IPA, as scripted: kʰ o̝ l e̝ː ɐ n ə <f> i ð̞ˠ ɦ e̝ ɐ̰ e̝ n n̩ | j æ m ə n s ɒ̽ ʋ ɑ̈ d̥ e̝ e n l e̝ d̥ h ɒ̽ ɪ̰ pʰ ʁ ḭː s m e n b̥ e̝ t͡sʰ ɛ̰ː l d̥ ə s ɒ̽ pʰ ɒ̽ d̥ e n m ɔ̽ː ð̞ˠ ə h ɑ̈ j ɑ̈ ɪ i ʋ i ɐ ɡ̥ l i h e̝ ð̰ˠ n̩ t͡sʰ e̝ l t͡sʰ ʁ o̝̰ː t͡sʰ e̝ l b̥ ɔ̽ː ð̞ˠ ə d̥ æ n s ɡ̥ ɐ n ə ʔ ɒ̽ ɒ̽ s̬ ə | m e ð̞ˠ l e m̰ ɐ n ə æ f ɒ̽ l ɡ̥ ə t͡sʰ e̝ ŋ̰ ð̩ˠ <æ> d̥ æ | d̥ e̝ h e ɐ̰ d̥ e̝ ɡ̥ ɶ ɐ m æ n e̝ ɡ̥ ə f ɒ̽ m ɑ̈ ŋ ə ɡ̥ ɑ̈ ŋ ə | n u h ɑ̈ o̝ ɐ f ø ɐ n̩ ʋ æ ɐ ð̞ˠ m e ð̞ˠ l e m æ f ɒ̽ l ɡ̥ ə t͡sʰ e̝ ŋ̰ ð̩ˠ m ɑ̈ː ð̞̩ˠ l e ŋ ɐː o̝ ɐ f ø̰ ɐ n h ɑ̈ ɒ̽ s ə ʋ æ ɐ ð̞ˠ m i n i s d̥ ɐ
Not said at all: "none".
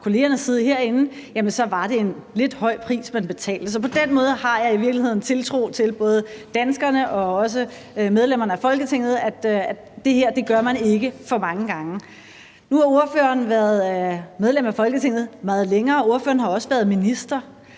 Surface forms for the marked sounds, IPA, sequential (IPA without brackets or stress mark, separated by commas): s, æ